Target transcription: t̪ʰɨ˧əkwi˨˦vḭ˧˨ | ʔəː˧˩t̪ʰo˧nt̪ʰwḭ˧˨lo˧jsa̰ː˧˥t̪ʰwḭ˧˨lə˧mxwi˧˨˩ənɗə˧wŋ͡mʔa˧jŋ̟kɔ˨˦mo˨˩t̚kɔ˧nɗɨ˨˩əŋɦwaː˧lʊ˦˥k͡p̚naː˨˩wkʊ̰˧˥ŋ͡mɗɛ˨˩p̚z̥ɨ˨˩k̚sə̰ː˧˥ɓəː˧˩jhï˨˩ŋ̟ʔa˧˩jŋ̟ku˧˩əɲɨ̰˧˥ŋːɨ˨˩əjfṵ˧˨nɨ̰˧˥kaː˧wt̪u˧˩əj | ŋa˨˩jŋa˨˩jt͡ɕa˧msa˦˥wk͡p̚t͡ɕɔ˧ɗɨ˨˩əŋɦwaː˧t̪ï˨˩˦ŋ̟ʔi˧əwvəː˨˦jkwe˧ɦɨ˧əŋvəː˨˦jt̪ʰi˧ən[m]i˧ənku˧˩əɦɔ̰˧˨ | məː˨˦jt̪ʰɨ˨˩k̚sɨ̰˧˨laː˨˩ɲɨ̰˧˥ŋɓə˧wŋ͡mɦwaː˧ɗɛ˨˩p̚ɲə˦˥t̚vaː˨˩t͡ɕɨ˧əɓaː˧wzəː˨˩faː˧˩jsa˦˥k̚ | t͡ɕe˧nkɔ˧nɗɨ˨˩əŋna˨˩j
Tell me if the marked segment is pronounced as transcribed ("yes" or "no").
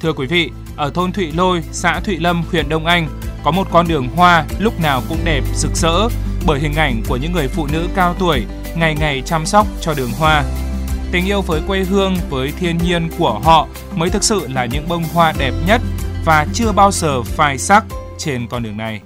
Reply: no